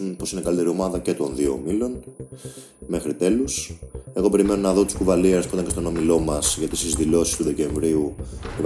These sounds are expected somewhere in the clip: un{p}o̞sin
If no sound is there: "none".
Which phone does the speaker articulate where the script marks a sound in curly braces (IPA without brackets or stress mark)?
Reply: p